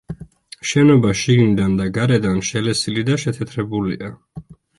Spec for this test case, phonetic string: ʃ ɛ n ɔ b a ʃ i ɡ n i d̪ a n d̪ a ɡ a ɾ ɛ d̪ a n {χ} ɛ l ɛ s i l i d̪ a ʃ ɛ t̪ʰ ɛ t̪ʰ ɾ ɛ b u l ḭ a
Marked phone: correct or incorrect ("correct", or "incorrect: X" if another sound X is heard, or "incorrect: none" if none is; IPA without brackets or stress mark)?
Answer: incorrect: ʃ